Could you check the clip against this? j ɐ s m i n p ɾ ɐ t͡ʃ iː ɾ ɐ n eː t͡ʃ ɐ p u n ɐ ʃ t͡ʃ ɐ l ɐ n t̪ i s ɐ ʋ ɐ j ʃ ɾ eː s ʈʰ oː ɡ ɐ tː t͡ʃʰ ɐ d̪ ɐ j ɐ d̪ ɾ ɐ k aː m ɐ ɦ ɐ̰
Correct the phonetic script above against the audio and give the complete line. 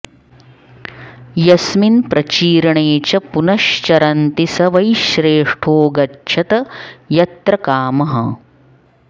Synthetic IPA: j ɐ s m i n p ɾ ɐ t͡ʃ iː ɾ ɐ ɳ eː t͡ʃ ɐ p u n ɐ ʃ t͡ʃ ɐ ɾ ɐ n t̪ i s ɐ ʋ ɐ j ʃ ɾ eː ʂ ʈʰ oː ɡ ɐ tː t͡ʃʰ ɐ t̪ ɐ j ɐ t̪ ɾ ɐ k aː m ɐ ɦ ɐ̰